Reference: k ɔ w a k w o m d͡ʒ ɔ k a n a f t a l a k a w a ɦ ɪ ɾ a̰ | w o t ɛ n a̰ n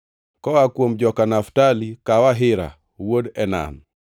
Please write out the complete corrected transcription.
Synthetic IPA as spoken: k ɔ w a k w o m d͡ʒ ɔ k a n a f t a l i k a w a ɦ ɪ ɾ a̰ | w o d ɛ n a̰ n

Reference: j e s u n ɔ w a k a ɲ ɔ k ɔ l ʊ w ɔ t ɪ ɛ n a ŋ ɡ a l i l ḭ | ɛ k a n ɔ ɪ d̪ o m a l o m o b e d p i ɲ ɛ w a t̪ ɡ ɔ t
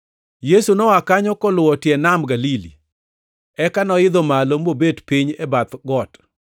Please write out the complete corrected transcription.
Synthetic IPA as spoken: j e s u n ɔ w a k a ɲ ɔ k ɔ l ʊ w ɔ t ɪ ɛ n a m ɡ a l i l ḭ | ɛ k a n ɔ ɪ d̪ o m a l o m o b e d p i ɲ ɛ b a t̪ ɡ ɔ t

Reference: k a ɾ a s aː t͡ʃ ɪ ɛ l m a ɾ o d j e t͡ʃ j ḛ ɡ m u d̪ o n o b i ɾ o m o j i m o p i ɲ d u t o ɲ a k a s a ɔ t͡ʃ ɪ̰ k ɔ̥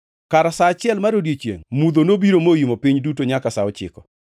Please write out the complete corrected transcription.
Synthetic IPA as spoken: k a ɾ a s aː t͡ʃ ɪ ɛ l m a ɾ o d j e t͡ʃ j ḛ ŋ m u d̪ o n o b i ɾ o m o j i m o p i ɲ d u t o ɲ a k a s a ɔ t͡ʃ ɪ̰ k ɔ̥

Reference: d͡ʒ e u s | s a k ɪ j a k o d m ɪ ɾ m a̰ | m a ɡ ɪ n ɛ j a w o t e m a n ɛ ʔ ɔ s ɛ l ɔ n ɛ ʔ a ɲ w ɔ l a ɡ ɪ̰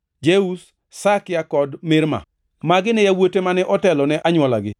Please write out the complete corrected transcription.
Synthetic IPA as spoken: d͡ʒ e u s | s a k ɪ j a k ɔ d m ɪ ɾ m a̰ | m a ɡ ɪ n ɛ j a w o t e m a n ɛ ʔ ɔ t ɛ l ɔ n ɛ ʔ a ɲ w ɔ l a ɡ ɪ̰

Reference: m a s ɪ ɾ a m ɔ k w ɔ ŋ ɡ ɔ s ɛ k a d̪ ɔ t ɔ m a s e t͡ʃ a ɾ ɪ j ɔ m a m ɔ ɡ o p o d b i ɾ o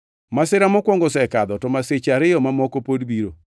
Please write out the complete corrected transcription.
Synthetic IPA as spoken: m a s ɪ ɾ a m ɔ k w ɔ ŋ ɡ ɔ s ɛ k a d̪ ɔ t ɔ m a s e t͡ʃ a ɾ ɪ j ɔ m a m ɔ k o p o d b i ɾ o

